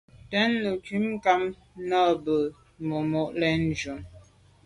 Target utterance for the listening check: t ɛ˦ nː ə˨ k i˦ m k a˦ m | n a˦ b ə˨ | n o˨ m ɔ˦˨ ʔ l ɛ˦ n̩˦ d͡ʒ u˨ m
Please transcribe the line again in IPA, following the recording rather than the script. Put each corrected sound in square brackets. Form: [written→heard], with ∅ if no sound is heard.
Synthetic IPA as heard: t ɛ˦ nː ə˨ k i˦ m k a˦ m | n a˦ b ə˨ | [n→m] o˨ m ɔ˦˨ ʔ l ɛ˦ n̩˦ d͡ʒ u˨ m